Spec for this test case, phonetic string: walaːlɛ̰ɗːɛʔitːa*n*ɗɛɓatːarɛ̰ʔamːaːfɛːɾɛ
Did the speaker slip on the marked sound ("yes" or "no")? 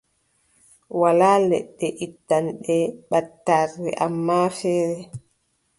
no